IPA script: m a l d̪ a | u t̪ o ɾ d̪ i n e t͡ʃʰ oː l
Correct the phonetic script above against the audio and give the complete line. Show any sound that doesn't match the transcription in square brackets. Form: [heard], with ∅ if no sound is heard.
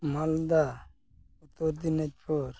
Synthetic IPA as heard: m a l d̪ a | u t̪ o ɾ d̪ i n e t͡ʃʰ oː [ɾ]